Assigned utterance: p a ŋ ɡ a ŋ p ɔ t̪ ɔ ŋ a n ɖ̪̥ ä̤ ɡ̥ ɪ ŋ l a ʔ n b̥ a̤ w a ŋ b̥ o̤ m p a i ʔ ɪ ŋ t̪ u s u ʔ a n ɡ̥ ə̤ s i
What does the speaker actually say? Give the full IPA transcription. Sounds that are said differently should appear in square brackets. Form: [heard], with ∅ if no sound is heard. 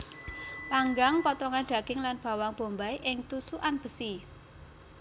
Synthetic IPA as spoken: p a ŋ ɡ a ŋ p ɔ t̪ ɔ ŋ a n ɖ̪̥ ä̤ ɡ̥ ɪ ŋ l a [∅] n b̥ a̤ w a ŋ b̥ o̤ m [b] a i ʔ ɪ ŋ t̪ u s u ʔ a n [b̥] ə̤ s i